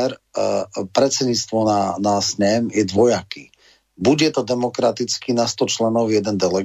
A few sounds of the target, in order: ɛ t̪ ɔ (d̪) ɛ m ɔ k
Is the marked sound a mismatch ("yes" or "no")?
no